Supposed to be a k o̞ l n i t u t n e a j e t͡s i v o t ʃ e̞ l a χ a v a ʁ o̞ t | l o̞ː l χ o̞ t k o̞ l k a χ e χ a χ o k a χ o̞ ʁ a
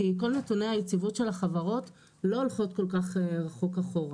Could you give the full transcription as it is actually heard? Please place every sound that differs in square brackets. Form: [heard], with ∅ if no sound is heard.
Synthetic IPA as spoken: [i] k o̞ l n [e] t u [∅] n e a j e t͡s i v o t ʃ e̞ l a χ a v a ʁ o̞ t | l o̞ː l χ o̞ t k o̞ l k a χ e [ʁ] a χ o k a χ o̞ ʁ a